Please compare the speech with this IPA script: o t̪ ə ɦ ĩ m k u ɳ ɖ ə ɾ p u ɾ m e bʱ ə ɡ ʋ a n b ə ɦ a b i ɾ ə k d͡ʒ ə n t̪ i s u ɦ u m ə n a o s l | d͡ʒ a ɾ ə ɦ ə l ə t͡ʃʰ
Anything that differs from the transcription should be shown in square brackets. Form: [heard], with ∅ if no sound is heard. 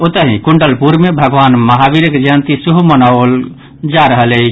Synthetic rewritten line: o t̪ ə ɦ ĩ [∅] k u ɳ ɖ ə [l] p u ɾ m e bʱ ə ɡ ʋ a n [m] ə ɦ a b i ɾ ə k d͡ʒ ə n t̪ i s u ɦ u m ə n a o [∅] l | d͡ʒ a ɾ ə ɦ ə l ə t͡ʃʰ

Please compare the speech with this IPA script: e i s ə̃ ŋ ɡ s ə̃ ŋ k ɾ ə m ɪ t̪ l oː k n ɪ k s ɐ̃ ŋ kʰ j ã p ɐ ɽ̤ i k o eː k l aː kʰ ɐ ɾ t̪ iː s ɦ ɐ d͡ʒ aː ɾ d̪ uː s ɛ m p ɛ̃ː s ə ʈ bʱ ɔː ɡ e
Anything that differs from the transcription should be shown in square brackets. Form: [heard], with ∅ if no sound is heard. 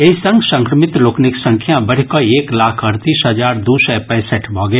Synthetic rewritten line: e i s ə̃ ŋ ɡ s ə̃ ŋ k ɾ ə m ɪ t̪ l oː k n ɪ k s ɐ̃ ŋ kʰ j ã [b] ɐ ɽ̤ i k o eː k l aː kʰ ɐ ɾ t̪ iː s ɦ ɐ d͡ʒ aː ɾ d̪ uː s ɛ [∅] p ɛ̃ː s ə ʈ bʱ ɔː ɡ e

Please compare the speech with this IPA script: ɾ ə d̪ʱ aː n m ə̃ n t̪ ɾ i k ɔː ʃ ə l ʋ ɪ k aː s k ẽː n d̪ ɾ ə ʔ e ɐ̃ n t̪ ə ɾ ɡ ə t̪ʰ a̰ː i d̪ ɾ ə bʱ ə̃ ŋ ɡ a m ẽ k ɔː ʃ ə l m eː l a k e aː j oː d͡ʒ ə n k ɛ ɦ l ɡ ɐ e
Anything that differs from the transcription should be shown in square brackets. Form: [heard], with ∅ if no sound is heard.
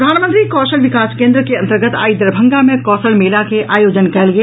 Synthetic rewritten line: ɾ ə d̪ʱ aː n m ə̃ n t̪ ɾ i k ɔː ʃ ə l ʋ ɪ k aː s k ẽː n d̪ ɾ ə [k] e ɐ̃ n t̪ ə ɾ ɡ ə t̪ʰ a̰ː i d̪ ɾ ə bʱ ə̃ ŋ ɡ a m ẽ k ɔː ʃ ə l m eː l a k e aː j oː d͡ʒ ə n k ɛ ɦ l ɡ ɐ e

